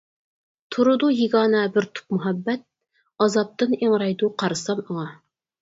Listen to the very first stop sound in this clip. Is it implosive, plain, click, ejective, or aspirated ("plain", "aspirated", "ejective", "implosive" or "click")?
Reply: aspirated